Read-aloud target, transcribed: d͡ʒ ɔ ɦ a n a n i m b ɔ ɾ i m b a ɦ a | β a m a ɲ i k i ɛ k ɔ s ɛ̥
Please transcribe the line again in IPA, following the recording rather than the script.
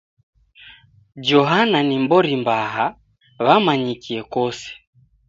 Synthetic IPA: d͡ʒ ɔ ɦ a n a n i m b ɔ ɾ i m b a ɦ a | β a m a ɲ i k i ɛ k ɔ s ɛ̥